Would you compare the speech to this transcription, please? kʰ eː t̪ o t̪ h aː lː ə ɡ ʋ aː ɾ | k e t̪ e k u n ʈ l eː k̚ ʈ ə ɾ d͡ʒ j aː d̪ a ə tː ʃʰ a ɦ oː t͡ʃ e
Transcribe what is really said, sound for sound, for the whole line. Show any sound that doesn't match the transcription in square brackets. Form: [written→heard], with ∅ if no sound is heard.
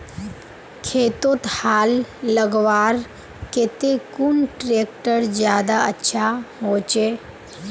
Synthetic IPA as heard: kʰ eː t̪ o t̪ h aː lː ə ɡ ʋ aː ɾ | k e t̪ e k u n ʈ [l→ɾ] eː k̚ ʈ ə ɾ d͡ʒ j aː d̪ a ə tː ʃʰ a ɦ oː t͡ʃ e

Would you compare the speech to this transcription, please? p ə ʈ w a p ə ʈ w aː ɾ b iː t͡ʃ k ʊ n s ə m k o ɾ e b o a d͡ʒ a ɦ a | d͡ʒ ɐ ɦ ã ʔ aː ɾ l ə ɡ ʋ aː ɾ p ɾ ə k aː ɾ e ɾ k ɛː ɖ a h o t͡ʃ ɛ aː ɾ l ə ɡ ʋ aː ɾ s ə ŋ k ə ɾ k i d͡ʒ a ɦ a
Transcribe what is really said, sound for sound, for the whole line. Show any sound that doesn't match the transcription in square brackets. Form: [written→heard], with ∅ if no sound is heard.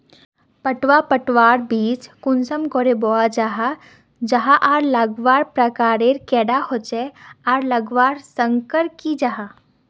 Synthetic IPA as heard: p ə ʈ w a p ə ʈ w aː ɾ b iː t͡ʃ k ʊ n s ə m k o ɾ e b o a d͡ʒ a ɦ a | d͡ʒ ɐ ɦ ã ʔ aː ɾ l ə ɡ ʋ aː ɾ p ɾ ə k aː ɾ e ɾ k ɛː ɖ a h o t͡ʃ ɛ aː ɾ l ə ɡ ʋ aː ɾ s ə ŋ k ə ɾ k i d͡ʒ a ɦ a

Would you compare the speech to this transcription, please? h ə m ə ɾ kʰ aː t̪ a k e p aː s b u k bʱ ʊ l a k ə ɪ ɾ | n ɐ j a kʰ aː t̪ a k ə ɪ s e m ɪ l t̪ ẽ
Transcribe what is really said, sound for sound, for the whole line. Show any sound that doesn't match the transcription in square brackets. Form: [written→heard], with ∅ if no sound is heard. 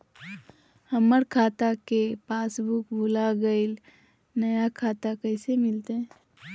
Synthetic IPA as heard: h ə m ə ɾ kʰ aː t̪ a k e p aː s b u k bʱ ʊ l a [k→ɡ] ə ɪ [ɾ→l] | n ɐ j a kʰ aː t̪ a k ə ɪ s e m ɪ l t̪ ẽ

